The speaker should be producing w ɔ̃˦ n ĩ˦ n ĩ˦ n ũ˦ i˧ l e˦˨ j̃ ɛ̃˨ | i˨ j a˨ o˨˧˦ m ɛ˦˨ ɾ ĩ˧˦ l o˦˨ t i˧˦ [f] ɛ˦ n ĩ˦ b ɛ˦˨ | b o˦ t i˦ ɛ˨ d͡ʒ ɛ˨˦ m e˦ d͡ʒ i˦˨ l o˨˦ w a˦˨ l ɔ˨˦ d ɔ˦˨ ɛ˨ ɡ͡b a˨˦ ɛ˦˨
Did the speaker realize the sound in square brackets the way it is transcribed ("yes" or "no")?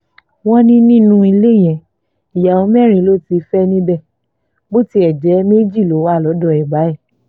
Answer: yes